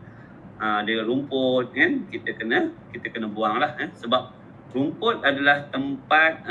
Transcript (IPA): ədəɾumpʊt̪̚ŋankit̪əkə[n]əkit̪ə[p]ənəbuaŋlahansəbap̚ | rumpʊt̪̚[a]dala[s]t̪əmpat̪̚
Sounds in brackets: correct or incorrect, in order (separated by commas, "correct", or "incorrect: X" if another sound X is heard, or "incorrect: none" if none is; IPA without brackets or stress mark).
correct, incorrect: k, correct, incorrect: h